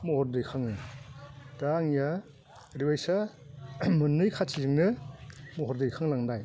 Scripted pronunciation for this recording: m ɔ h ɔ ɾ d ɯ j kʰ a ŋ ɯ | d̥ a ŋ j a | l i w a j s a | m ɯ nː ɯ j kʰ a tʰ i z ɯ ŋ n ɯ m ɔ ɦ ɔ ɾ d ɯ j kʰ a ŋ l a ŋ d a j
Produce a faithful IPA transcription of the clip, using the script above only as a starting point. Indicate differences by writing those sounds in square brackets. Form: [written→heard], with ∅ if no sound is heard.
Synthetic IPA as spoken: m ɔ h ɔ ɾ d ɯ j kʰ a ŋ ɯ | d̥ a ŋ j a | [l→ɾ] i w a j s a | m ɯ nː ɯ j kʰ a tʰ i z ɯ ŋ n ɯ m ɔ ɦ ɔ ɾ d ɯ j kʰ a ŋ l a ŋ d a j